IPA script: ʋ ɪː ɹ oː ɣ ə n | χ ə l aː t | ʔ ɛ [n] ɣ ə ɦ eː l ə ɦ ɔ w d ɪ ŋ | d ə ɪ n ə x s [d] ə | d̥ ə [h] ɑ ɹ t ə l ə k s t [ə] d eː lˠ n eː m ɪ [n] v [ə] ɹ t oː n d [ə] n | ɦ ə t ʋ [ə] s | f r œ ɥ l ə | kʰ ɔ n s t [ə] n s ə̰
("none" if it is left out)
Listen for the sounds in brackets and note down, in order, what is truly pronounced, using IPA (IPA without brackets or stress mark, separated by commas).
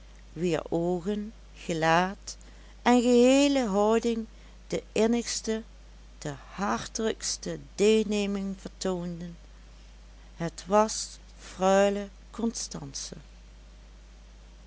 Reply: n, t, h, ə, ŋ, ə, ə, ɑ, ɑ